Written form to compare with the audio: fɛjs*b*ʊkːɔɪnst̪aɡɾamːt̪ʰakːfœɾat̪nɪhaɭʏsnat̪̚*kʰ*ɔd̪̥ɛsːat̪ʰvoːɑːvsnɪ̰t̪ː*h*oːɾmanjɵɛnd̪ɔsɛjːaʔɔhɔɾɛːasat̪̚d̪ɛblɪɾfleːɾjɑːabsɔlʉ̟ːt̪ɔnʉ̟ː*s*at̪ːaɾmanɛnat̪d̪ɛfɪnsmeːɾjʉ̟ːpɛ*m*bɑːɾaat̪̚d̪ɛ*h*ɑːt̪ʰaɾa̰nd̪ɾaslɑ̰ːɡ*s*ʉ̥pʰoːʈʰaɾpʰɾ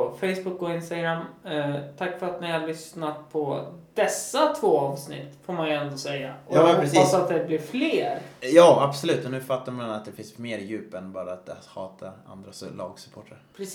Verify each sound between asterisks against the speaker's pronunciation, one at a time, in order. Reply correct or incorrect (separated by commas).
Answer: correct, incorrect, incorrect, incorrect, incorrect, correct, correct